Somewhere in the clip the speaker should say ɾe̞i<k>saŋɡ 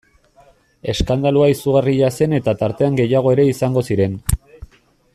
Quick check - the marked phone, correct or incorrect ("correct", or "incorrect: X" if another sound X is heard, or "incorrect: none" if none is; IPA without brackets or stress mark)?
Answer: incorrect: none